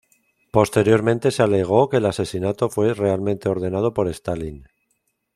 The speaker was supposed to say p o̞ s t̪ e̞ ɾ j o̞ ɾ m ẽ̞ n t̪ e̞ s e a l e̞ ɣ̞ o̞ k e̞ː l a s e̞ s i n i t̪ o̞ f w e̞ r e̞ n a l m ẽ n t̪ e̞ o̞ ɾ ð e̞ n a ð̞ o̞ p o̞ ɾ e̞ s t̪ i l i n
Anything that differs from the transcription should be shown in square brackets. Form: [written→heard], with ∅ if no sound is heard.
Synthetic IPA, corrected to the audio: p o̞ s t̪ e̞ ɾ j o̞ ɾ m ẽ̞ n t̪ e̞ s e a l e̞ ɣ̞ o̞ k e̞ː l a s e̞ s i n [i→a] t̪ o̞ f w e̞ r e̞ [n→∅] a l m ẽ n t̪ e̞ o̞ ɾ ð e̞ n a ð̞ o̞ p o̞ ɾ e̞ s t̪ [i→a] l i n